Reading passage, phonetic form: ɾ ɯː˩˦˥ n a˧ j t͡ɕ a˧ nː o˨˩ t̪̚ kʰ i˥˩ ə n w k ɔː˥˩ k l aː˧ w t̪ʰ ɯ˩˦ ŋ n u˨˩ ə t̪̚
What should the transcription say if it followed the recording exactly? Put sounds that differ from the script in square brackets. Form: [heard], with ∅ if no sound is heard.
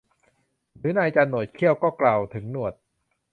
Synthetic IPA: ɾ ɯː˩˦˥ n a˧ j t͡ɕ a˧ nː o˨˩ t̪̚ kʰ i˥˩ ə [∅] w k ɔː˥˩ k l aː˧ w t̪ʰ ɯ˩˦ ŋ n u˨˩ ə t̪̚